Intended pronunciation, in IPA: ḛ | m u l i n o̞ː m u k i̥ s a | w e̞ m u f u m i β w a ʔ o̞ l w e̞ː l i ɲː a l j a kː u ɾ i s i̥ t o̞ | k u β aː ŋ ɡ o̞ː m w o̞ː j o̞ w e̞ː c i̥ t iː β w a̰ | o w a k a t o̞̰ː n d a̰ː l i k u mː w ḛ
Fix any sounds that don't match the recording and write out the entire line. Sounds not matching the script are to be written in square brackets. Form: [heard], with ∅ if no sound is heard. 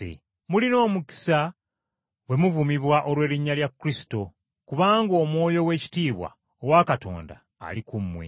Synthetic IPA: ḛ | m u l i n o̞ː m u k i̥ s a | w e̞ m u [v] u m i β w a ʔ o̞ l w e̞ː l i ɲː a l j a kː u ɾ i s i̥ t o̞ | k u β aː ŋ ɡ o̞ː m w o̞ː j o̞ w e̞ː c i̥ t iː β w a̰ | o w a k a t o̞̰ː n d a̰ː l i k u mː w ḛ